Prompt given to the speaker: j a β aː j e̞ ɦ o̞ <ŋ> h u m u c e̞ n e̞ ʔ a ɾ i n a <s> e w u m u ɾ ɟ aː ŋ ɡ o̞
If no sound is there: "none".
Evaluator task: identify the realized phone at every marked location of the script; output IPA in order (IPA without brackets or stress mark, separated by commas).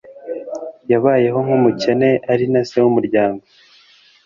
ŋ, s